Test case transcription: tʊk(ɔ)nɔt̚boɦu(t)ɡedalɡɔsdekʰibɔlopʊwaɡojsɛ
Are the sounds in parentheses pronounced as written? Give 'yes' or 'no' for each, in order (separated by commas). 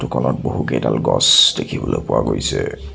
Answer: yes, no